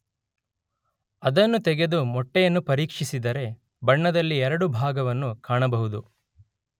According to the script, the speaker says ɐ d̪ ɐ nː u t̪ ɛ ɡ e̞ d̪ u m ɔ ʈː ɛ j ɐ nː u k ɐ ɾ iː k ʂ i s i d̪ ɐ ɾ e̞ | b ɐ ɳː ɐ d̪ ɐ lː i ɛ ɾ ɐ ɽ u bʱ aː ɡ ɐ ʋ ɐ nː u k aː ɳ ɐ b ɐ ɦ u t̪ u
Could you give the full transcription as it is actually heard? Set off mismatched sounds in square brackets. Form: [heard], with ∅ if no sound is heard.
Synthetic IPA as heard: ɐ d̪ ɐ nː u t̪ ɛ ɡ e̞ d̪ u m ɔ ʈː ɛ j ɐ nː u [p] ɐ ɾ iː k ʂ i s i d̪ ɐ ɾ e̞ | b ɐ ɳː ɐ d̪ ɐ lː i ɛ ɾ ɐ ɽ u bʱ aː ɡ ɐ ʋ ɐ nː u k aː ɳ ɐ b ɐ ɦ u [d̪] u